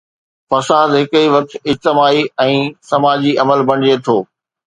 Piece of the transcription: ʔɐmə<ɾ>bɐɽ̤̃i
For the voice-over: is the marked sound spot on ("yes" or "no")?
no